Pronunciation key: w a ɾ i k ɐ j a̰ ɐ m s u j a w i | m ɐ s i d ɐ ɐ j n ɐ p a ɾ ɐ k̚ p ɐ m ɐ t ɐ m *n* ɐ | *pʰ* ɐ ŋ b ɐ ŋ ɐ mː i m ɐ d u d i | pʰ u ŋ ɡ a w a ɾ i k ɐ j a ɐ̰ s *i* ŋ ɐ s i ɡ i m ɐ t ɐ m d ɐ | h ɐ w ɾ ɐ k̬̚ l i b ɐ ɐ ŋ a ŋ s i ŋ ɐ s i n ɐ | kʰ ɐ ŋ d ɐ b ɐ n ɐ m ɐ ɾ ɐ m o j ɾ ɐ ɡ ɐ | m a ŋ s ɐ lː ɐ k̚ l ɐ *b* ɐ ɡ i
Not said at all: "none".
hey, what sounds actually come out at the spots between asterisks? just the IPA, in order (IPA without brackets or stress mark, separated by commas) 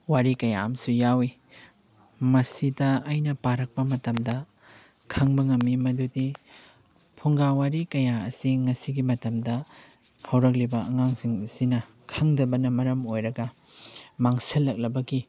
d, kʰ, i, b